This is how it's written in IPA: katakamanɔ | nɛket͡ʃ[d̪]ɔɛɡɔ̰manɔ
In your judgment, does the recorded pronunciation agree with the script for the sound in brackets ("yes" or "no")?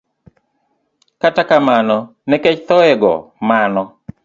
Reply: no